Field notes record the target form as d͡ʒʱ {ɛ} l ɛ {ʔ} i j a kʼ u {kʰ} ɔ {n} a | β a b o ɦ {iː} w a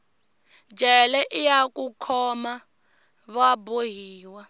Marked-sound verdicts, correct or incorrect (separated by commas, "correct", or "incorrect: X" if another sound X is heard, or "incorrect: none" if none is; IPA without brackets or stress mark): correct, correct, correct, incorrect: m, correct